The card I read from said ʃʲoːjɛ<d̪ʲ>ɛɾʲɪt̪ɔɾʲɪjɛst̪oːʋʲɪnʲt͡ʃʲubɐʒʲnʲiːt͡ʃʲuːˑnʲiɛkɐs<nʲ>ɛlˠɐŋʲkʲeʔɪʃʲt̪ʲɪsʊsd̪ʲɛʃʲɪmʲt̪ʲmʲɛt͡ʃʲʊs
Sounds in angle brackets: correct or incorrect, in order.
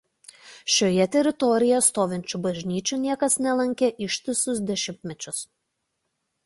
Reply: incorrect: t̪ʲ, correct

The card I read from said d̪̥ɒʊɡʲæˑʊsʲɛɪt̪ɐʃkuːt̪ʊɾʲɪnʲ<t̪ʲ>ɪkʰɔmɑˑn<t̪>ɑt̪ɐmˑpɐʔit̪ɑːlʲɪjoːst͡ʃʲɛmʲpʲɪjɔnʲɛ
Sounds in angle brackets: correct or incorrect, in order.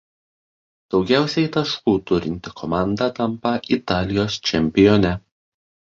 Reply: correct, incorrect: d̪

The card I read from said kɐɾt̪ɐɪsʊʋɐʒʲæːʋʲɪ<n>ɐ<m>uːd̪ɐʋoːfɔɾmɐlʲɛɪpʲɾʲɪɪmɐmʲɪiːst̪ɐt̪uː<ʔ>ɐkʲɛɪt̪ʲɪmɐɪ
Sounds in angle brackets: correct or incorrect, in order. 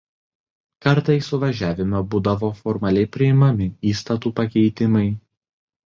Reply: incorrect: m, incorrect: b, incorrect: p

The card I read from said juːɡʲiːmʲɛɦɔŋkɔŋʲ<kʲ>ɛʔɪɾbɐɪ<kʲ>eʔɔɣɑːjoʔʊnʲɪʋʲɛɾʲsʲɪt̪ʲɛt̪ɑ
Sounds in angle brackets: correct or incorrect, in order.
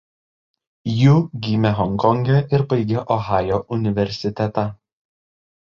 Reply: incorrect: ɡʲ, incorrect: ɡʲ

